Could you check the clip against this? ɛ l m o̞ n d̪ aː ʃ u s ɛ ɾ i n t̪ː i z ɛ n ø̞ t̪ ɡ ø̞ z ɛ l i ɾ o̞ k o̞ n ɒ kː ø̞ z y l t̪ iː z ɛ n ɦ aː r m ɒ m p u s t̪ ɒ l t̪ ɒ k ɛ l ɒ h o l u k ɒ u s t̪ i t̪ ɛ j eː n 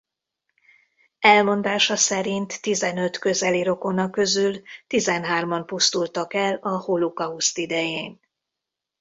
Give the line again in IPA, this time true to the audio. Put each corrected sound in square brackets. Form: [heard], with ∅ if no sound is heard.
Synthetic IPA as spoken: ɛ l m o̞ n d̪ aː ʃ [ɒ] s ɛ ɾ i n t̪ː i z ɛ n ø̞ t̪ [k] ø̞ z ɛ l i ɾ o̞ k o̞ n ɒ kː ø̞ z y l t̪ [i] z ɛ n ɦ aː r m ɒ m p u s t̪ [u] l t̪ ɒ k ɛ l ɒ h o l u k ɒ u s t̪ i [d̪] ɛ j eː n